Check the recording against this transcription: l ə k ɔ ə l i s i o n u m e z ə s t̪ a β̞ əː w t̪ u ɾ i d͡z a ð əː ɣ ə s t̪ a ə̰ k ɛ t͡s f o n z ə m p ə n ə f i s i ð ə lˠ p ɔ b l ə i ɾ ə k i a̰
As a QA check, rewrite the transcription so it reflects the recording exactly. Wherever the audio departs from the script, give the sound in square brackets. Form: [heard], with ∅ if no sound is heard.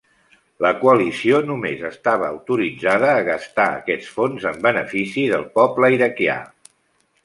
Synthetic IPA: l ə k [u] ə l i s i o n u m e z ə s t̪ a β̞ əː w t̪ u ɾ i d͡z a ð əː ɣ ə s t̪ a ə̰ k ɛ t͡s f o n z ə m [b] ə n ə f i s i ð ə lˠ p ɔ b l ə i ɾ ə k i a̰